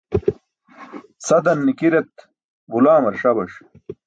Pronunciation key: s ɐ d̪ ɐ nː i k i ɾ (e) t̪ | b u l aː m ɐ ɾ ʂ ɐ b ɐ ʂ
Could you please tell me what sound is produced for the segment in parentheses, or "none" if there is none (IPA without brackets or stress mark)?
e